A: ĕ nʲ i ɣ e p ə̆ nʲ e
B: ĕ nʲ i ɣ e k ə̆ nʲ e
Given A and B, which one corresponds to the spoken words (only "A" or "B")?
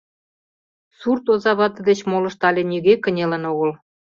B